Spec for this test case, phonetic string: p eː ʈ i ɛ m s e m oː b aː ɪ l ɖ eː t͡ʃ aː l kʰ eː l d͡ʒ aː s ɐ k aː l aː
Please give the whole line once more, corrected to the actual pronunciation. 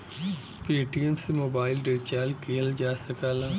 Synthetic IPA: p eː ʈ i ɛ m s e m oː b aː ɪ l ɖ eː t͡ʃ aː l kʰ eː l d͡ʒ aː s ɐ k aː l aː

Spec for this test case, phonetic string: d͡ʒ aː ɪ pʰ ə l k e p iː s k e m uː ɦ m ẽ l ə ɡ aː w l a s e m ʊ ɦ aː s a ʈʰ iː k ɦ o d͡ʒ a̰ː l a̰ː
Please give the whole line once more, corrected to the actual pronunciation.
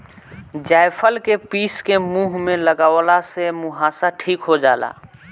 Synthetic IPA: d͡ʒ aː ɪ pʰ ə l k e p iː s k e m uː ɦ m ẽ l ə ɡ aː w l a s e m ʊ ɦ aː s a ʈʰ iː k ɦ o d͡ʒ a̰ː l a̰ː

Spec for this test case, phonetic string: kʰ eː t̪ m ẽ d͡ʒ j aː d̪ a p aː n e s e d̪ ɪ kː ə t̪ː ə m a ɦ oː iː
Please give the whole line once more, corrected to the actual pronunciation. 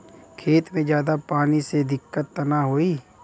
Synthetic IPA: kʰ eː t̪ m ẽ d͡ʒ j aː d̪ a p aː n i s e d̪ ɪ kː ə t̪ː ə n a ɦ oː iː

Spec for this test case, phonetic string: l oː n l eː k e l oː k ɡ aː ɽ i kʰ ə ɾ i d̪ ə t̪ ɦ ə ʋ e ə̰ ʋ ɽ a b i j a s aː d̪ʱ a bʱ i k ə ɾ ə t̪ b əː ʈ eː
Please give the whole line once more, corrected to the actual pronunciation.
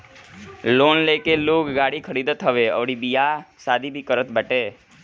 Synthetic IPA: l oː n l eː k e l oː k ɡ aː ɽ i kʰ ə ɾ i d̪ ə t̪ ɦ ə ʋ e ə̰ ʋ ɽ i b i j a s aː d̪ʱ i bʱ i k ə ɾ ə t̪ b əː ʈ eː

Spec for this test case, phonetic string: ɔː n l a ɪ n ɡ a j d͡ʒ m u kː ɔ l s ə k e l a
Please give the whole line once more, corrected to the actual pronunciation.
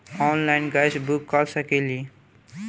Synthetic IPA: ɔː n l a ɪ n ɡ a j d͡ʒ b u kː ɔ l s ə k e l i

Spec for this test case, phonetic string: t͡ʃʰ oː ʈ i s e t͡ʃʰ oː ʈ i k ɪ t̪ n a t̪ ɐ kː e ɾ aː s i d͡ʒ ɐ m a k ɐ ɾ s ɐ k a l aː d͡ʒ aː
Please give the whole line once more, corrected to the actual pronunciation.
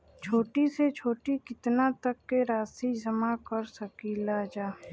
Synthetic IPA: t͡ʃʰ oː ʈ i s e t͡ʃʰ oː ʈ i k ɪ t̪ n a t̪ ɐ kː e ɾ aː s i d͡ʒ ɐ m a k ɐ ɾ s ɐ k i l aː d͡ʒ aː

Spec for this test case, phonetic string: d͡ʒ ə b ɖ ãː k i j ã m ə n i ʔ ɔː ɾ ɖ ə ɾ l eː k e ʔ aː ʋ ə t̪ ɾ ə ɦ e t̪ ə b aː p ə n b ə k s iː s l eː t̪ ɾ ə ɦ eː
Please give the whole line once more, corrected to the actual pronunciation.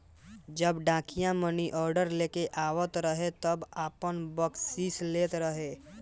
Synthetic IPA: d͡ʒ ə b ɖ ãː k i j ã m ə n i ʔ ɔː ɾ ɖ ə ɾ l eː k e ʔ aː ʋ ə t̪ ɾ ə ɦ e t̪ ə b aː p ə n b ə k s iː s l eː t̪ ɾ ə ɦ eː

